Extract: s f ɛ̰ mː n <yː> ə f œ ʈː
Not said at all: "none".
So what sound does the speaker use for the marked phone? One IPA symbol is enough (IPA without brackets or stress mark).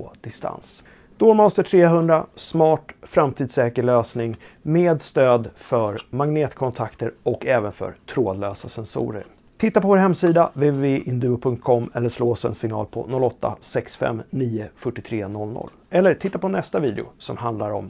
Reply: iː